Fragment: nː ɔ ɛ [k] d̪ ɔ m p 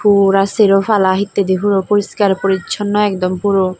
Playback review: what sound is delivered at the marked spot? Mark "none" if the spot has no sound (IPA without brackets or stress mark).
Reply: k